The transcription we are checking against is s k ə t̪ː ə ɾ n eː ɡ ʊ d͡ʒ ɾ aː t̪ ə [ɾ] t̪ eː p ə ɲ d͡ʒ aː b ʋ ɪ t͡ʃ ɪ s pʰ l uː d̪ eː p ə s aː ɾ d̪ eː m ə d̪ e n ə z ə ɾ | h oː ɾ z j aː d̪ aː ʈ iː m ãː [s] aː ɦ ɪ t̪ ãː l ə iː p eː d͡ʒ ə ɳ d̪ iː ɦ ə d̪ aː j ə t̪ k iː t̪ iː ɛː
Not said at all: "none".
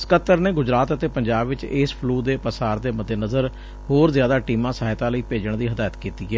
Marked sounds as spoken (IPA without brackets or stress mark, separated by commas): none, s